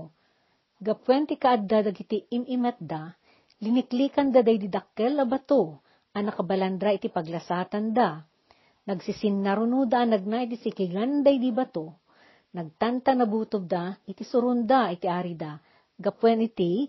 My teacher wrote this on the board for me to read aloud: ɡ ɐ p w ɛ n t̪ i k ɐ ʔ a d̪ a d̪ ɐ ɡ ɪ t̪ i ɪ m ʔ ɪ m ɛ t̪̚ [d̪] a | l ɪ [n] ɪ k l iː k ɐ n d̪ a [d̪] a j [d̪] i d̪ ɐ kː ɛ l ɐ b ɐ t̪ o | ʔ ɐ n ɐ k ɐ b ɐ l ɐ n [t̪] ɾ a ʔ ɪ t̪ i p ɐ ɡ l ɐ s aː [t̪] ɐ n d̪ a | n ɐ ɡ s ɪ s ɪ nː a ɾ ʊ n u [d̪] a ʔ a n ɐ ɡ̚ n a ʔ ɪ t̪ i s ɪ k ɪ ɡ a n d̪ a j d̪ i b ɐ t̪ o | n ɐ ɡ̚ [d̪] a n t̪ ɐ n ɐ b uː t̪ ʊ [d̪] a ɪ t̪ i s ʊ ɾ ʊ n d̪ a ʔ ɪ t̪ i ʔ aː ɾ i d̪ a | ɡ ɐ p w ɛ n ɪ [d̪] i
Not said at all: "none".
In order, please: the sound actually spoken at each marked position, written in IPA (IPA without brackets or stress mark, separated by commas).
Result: d̪, n, d̪, d̪, d̪, t̪, d̪, t̪, d̪, t̪